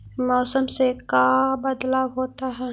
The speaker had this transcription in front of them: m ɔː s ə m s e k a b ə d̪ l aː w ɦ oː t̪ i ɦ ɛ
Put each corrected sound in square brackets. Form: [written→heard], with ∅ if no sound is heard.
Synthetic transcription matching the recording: m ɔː s ə m s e k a b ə d̪ l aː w ɦ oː t̪ [i→a] ɦ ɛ